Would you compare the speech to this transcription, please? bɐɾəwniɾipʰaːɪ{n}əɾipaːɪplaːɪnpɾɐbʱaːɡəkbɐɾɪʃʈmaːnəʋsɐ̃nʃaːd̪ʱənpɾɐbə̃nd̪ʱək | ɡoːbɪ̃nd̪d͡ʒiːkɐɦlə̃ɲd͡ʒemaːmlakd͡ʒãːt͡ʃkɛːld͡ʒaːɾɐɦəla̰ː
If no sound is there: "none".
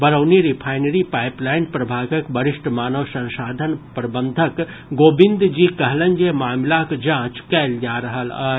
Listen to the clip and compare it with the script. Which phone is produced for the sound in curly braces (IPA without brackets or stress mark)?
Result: n